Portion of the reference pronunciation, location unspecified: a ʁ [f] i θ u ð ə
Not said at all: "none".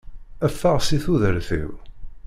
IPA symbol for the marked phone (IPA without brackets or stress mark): s